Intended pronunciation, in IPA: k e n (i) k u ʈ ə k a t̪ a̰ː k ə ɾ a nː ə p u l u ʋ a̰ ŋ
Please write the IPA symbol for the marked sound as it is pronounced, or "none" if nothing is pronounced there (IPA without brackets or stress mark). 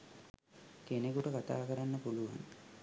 e